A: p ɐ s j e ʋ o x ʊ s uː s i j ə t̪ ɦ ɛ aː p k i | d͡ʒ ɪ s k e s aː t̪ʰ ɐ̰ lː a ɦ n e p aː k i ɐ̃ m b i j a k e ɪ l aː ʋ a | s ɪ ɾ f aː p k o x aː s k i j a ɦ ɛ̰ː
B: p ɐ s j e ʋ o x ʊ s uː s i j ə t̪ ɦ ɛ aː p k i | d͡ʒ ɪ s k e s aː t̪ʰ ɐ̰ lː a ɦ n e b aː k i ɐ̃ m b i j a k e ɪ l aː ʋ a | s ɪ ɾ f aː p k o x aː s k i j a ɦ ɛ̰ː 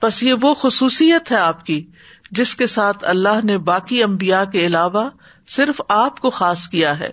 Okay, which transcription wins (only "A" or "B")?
B